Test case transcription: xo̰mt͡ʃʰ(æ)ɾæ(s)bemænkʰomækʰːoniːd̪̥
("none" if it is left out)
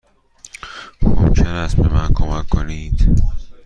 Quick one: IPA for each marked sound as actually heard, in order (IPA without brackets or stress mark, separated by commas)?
e, s